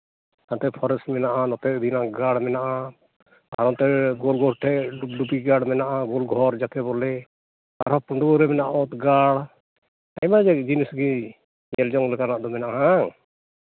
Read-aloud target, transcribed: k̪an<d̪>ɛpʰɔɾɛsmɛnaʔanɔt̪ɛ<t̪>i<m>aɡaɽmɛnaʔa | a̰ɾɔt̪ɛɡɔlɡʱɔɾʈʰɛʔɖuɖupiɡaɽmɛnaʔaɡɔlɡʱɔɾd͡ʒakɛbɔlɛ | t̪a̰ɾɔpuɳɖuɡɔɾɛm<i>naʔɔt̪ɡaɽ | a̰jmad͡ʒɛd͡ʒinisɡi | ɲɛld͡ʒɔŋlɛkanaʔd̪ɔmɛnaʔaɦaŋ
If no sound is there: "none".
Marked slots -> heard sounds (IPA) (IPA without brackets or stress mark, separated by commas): t̪, d̪, n, ɛ